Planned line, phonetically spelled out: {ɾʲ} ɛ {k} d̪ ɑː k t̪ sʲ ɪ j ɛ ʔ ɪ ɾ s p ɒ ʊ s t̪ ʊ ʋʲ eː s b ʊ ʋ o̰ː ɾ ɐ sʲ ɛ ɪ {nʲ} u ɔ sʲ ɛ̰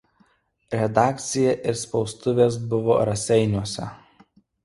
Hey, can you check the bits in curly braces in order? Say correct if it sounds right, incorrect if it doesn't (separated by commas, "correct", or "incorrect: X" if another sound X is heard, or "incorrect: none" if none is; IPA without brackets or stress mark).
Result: correct, incorrect: none, correct